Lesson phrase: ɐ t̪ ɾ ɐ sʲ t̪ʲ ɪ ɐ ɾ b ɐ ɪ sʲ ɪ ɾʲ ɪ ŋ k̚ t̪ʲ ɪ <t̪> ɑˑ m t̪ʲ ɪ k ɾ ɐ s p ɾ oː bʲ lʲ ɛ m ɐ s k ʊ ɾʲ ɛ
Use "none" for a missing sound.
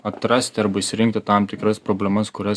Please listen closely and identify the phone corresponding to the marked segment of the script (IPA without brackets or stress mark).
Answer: t̪